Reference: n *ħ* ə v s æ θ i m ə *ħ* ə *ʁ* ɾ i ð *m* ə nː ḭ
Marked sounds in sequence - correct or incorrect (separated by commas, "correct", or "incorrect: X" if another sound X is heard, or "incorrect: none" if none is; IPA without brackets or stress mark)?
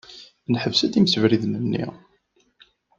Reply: correct, incorrect: s, incorrect: v, incorrect: n